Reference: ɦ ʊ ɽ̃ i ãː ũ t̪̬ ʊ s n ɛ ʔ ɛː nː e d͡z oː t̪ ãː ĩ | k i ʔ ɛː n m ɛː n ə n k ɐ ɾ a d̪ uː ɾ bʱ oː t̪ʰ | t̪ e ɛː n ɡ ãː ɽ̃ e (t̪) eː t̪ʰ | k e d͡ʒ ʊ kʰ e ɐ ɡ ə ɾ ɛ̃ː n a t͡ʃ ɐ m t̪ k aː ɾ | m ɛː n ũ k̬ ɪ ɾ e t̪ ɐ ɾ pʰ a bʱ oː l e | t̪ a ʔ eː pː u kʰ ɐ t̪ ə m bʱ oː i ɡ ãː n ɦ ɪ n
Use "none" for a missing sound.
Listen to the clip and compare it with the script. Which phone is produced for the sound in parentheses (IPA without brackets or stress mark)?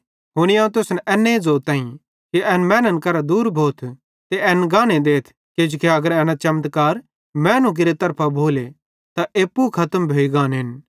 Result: d̪